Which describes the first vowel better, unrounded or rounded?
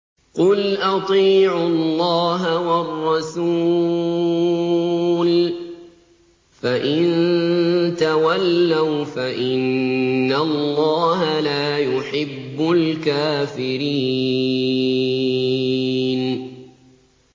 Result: rounded